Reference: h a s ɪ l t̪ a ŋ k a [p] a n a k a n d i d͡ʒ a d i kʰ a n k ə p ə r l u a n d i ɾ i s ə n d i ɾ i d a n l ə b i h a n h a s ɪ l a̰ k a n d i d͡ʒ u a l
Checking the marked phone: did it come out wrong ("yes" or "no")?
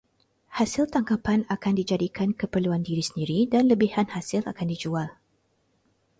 no